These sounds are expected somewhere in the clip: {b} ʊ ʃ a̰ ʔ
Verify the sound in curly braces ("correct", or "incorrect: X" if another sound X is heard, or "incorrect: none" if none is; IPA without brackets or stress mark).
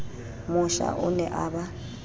incorrect: m